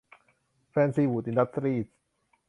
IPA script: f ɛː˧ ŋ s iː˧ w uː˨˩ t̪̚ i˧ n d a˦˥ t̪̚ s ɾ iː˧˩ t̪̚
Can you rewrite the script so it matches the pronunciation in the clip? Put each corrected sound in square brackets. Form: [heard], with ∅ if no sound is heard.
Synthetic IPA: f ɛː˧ [n] s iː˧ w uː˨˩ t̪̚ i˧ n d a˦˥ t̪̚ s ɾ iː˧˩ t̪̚